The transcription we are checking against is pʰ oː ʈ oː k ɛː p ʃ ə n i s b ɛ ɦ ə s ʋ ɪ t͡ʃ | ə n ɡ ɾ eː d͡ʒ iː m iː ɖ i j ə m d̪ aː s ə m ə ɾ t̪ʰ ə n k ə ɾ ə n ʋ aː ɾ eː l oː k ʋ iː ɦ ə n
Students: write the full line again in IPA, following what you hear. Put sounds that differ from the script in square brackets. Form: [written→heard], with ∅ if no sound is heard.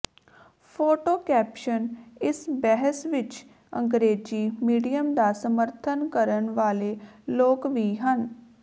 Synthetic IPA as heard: pʰ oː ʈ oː k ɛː p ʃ ə n [i→ɪ] s b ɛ ɦ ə s ʋ ɪ t͡ʃ | ə [n→ŋ] ɡ ɾ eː d͡ʒ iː m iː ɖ i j ə m d̪ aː s ə m ə ɾ t̪ʰ ə n k ə ɾ ə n ʋ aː [ɾ→l] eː l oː k ʋ iː ɦ ə n